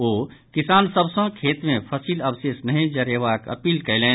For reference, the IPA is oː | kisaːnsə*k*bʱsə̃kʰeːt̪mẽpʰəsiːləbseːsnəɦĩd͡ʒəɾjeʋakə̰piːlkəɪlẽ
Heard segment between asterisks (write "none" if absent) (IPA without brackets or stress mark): none